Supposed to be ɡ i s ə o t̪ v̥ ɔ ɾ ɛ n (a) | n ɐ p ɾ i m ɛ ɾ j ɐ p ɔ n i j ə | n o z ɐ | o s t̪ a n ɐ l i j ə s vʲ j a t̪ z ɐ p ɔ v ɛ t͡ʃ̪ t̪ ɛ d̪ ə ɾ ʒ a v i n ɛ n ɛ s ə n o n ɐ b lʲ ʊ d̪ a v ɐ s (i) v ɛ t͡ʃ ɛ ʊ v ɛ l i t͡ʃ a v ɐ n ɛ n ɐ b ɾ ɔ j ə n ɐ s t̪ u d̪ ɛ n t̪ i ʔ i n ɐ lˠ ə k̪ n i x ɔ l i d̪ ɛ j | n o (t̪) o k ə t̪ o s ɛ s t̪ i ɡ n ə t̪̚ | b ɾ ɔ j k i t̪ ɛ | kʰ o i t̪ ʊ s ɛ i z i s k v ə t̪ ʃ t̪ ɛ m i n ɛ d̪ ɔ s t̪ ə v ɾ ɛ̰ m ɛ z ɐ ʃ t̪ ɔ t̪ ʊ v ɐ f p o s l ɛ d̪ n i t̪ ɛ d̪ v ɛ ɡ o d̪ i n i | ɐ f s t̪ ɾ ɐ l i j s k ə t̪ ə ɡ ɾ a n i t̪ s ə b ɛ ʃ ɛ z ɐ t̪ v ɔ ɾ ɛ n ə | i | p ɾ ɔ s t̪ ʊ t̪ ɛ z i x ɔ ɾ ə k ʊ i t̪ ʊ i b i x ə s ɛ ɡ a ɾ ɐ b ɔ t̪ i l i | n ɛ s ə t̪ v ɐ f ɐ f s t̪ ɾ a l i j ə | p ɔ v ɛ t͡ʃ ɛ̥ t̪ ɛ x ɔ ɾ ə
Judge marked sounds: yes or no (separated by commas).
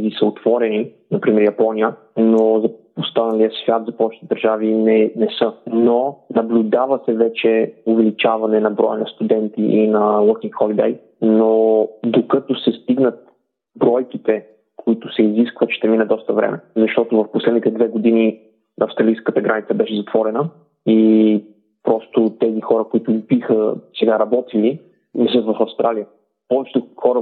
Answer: no, no, no